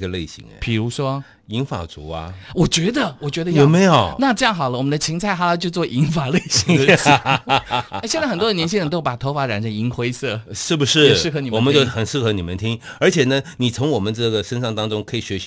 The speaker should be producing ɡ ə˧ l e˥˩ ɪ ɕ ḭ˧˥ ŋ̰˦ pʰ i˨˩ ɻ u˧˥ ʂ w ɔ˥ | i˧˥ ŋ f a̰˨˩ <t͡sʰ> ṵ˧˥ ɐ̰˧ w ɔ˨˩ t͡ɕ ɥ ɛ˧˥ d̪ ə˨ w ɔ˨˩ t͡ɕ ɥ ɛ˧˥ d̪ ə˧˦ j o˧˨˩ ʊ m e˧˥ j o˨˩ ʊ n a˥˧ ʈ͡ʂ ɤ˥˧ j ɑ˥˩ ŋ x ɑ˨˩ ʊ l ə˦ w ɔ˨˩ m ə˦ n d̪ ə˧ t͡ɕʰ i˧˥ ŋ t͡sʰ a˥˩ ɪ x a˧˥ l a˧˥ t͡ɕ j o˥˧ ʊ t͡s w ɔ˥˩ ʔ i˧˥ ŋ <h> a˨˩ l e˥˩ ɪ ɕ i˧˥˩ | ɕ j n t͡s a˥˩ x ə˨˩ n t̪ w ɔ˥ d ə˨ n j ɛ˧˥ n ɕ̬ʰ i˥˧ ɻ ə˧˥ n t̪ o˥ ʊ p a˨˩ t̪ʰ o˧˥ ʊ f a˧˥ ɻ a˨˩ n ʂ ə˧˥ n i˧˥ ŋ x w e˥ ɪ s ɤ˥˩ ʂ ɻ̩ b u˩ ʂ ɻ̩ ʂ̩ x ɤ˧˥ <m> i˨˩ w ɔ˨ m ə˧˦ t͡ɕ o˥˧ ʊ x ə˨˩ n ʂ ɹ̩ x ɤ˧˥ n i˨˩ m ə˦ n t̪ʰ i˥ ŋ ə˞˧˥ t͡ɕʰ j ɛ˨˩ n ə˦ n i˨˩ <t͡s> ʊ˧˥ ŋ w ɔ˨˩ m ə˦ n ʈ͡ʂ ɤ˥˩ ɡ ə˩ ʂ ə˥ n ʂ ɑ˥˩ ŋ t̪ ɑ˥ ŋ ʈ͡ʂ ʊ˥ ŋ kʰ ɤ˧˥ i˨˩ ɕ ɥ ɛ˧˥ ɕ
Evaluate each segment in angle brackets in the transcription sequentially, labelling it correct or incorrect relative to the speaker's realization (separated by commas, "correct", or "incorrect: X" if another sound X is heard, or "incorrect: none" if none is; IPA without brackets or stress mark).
incorrect: t͡s, incorrect: f, incorrect: n, incorrect: t͡sʰ